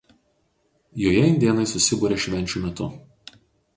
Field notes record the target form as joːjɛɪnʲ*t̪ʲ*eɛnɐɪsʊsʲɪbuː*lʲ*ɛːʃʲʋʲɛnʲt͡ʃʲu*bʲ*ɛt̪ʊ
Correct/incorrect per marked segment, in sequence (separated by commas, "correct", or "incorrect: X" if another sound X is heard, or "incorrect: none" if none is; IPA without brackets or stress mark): incorrect: d̪ʲ, incorrect: ɾʲ, incorrect: mʲ